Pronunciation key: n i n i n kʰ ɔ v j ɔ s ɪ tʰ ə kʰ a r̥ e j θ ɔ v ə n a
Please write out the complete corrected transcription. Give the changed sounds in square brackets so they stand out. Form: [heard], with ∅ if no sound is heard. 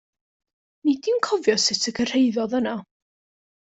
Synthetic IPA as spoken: n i [d] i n kʰ ɔ v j ɔ s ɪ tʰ ə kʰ [ə] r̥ e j [ð] ɔ [ð] ə n a